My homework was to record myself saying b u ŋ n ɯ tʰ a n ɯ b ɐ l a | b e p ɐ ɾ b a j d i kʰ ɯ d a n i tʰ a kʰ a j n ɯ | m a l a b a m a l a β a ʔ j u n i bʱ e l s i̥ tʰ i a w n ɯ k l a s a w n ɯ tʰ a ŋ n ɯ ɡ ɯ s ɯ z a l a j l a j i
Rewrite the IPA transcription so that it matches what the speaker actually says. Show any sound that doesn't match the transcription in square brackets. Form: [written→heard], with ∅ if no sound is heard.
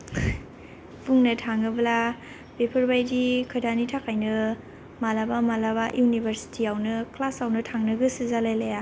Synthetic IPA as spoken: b u ŋ n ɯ tʰ a [n→ŋ] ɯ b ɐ l a | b e [p→pʰ] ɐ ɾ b a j d i kʰ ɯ d a n i tʰ a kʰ a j n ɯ | m a l a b a m a l a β a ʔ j u n i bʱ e [l→ɾ] s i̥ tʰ i a w n ɯ k l a s a w n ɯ tʰ a ŋ n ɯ ɡ ɯ s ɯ z a l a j l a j [i→a]

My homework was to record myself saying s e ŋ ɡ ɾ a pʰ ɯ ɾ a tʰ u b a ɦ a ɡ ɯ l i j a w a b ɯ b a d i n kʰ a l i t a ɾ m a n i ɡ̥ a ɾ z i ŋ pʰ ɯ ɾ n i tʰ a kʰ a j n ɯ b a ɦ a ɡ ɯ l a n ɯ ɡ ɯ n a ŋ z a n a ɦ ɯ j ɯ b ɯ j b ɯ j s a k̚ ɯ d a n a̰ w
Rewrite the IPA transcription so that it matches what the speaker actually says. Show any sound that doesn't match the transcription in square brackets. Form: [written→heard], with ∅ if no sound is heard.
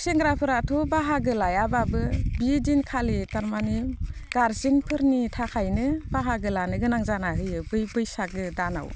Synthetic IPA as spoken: s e ŋ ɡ ɾ a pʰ ɯ ɾ a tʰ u b a ɦ a ɡ ɯ l [i→a] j a [w→b] a b ɯ b [a→i] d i n kʰ a l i t a ɾ m a n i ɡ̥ a ɾ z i ŋ pʰ ɯ ɾ n i tʰ a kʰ a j n ɯ b a ɦ a ɡ ɯ l a n ɯ ɡ ɯ n a ŋ z a n a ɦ ɯ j ɯ b ɯ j b ɯ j s a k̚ ɯ d a n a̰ w

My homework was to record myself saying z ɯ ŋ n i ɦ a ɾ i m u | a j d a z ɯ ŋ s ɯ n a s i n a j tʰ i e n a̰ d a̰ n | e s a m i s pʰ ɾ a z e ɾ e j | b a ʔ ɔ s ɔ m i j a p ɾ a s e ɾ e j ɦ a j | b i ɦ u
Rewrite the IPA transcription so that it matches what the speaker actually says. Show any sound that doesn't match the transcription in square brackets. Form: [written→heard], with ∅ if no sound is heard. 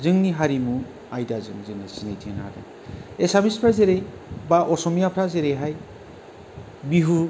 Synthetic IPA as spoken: z ɯ ŋ n i ɦ a ɾ i m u | a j d a z ɯ ŋ [s→z] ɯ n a s i n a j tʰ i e n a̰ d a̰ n | e s a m i s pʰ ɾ a z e ɾ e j | b a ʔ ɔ s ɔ m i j a [p→pʰ] ɾ a [s→z] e ɾ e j ɦ a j | b i ɦ u

